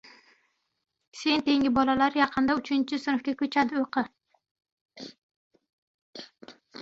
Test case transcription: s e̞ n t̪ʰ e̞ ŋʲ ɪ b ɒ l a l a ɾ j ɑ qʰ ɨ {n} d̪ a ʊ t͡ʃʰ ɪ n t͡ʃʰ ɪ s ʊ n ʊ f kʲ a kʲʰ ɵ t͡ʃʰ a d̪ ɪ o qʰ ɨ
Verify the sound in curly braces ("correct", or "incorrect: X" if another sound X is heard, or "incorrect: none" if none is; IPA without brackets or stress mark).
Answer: correct